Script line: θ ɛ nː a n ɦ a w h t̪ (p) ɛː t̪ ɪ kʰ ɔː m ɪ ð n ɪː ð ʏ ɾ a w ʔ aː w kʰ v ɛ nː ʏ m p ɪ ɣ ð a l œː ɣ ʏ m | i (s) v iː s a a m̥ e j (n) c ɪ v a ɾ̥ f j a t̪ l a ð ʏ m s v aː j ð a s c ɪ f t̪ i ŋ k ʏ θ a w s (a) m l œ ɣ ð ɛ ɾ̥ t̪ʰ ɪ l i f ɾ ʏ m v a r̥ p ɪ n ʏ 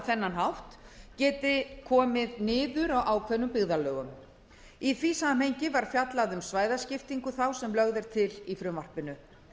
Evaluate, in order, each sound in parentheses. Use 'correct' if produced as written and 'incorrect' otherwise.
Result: incorrect: c, incorrect: θ, incorrect: ɲ, incorrect: ɛ

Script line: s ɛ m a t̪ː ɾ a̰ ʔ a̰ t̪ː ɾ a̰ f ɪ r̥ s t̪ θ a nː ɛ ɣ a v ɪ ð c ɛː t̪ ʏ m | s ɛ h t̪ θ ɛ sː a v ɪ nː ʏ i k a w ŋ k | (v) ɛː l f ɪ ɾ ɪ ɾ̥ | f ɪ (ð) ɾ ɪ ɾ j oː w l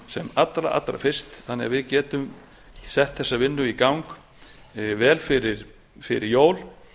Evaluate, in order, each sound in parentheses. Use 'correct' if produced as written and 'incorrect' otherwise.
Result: correct, incorrect: none

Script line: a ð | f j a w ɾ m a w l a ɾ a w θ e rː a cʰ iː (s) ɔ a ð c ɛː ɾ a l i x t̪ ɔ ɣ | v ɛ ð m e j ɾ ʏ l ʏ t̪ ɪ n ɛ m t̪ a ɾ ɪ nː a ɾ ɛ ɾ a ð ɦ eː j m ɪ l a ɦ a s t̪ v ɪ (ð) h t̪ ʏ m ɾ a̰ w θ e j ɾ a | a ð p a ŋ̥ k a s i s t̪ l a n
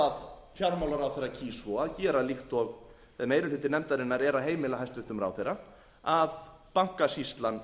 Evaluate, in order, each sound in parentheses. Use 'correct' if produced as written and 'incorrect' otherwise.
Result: correct, incorrect: none

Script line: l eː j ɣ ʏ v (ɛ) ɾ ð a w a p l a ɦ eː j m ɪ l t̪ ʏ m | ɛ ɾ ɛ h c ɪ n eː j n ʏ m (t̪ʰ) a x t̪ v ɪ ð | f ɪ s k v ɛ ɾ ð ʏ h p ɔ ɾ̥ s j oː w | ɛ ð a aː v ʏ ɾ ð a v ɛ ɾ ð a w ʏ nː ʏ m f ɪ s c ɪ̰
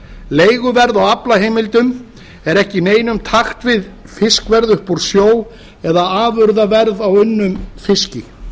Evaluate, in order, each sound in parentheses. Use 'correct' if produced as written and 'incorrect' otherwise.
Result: correct, correct

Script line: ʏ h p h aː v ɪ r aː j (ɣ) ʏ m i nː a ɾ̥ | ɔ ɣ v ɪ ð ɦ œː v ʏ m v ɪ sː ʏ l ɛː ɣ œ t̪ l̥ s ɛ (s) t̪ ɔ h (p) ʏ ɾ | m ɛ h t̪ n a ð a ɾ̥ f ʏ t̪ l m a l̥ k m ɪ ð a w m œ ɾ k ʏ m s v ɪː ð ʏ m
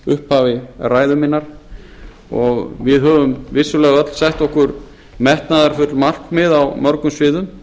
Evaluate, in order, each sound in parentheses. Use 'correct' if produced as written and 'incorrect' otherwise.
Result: incorrect: ð, incorrect: h, incorrect: k

